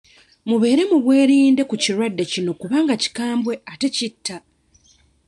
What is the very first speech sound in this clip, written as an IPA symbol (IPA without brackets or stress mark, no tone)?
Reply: m